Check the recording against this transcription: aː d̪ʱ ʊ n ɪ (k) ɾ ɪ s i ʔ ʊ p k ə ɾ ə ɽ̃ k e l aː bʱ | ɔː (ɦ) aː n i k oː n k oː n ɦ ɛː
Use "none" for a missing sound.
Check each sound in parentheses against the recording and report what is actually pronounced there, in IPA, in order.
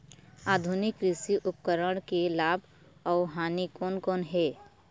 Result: k, ɦ

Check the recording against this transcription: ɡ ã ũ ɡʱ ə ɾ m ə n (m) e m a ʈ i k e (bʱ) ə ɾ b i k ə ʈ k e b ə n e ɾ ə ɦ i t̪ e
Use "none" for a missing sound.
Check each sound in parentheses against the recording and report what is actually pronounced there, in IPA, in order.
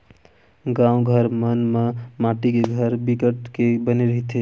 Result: m, ɡʱ

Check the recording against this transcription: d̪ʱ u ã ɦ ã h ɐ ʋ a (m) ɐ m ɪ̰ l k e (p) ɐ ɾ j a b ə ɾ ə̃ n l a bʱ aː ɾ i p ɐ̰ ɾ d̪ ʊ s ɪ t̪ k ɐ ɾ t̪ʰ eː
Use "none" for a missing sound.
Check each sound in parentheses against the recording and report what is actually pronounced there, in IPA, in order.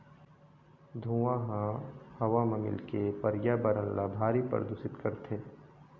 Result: m, p

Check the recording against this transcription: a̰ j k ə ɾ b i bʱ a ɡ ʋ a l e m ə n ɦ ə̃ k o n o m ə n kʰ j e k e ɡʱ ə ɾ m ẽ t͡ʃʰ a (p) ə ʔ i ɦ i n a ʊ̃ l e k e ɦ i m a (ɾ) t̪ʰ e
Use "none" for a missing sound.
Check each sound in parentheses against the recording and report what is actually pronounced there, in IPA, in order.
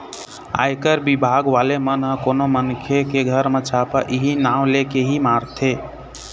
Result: p, ɾ

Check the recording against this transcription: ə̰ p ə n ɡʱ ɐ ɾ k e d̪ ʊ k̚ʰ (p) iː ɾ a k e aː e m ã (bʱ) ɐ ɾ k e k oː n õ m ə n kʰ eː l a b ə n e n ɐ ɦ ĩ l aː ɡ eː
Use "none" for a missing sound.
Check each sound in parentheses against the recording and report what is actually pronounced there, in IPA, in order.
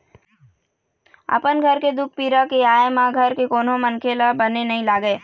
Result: p, ɡʱ

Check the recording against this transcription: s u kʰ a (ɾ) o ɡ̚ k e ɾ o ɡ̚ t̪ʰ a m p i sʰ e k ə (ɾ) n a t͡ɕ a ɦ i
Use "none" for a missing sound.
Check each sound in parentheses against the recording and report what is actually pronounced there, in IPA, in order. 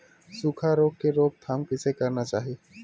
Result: ɾ, ɾ

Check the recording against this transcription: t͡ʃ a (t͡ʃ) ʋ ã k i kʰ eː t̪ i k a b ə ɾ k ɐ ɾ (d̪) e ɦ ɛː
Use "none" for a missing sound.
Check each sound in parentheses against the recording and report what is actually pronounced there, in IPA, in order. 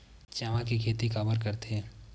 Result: none, t̪

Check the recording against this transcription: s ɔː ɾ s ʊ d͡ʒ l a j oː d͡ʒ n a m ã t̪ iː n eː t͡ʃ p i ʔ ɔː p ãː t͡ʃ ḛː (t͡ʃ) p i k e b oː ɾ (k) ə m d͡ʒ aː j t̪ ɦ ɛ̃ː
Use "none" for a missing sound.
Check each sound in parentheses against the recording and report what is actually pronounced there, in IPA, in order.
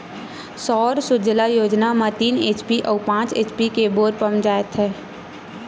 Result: t͡ʃ, p

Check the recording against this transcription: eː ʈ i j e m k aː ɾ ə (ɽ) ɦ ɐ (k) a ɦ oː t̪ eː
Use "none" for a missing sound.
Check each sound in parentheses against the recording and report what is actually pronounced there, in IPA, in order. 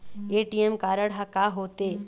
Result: ɽ, k

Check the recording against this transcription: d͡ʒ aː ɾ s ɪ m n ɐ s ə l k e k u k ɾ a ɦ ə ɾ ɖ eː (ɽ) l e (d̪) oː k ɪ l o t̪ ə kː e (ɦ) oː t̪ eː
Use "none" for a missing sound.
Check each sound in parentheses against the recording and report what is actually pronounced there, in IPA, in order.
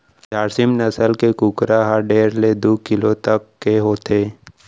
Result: ɾ, d̪, ɦ

